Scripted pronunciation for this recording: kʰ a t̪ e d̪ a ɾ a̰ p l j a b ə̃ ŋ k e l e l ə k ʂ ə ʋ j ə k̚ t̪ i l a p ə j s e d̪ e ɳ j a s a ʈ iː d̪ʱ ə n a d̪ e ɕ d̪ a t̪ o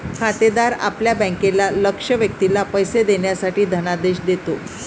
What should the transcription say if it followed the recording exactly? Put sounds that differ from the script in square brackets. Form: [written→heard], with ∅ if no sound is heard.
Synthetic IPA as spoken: kʰ a t̪ e d̪ a ɾ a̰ p l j a b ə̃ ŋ k e l [e→a] l ə k ʂ ə ʋ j ə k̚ t̪ i l a p ə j s e d̪ e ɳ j a s a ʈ iː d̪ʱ ə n a d̪ e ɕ d̪ [a→e] t̪ o